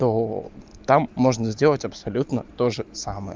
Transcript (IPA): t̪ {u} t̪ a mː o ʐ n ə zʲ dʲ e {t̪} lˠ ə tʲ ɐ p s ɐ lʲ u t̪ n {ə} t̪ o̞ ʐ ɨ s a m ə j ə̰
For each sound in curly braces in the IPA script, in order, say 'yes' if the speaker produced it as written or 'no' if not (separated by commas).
no, no, yes